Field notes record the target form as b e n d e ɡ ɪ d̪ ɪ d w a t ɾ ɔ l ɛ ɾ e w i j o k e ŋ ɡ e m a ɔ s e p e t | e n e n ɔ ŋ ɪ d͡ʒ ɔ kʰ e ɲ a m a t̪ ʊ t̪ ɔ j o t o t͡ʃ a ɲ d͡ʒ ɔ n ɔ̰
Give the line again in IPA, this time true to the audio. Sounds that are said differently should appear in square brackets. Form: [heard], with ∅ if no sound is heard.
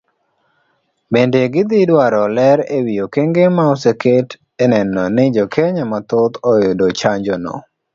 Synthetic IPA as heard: b e n d e ɡ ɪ d̪ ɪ d w a [∅] ɾ ɔ l ɛ ɾ e w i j o k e ŋ ɡ e m a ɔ s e [k] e t | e n [ɛ] n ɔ [n] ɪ d͡ʒ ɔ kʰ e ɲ a m a t̪ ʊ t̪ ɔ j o [d] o t͡ʃ a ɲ d͡ʒ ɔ n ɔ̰